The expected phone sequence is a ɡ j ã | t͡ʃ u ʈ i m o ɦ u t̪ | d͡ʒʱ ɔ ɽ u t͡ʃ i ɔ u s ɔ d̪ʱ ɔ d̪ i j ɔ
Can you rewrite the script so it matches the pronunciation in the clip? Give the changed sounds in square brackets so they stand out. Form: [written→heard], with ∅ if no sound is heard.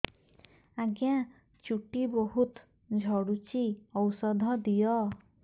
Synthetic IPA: a ɡ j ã | t͡ʃ u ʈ i [m→b] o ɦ u t̪ | d͡ʒʱ ɔ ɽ u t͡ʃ i ɔ [u→w] s ɔ d̪ʱ ɔ d̪ i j ɔ